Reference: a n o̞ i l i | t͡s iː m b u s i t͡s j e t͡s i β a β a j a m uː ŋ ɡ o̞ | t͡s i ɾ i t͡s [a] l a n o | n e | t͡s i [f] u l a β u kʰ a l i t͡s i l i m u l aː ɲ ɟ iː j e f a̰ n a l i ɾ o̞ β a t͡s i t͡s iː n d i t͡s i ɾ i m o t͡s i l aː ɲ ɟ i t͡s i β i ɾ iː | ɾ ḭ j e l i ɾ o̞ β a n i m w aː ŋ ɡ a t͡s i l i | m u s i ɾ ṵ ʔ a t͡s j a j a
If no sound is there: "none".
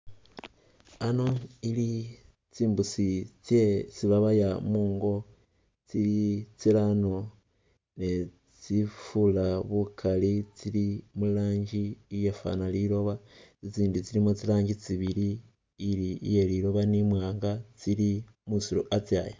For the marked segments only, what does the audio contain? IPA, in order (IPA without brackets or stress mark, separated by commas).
i, f